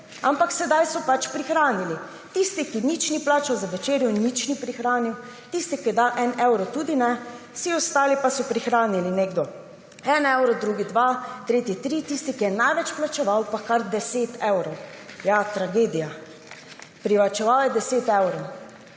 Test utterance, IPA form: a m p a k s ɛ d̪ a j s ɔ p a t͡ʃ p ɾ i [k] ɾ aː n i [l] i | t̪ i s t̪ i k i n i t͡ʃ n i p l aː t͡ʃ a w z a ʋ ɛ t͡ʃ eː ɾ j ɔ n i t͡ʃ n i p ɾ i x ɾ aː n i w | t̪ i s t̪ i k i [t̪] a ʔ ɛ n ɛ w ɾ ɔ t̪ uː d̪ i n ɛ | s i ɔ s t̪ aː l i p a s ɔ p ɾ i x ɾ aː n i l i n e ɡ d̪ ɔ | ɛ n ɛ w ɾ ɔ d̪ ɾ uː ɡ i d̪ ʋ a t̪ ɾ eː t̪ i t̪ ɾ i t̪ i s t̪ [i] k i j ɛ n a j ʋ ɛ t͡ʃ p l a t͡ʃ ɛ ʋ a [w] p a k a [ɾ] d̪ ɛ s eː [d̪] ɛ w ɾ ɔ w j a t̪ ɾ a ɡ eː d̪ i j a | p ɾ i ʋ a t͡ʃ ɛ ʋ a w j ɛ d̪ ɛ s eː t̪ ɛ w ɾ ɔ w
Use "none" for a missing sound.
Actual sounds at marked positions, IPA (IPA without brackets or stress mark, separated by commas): x, l, d̪, i, w, ɾ, t̪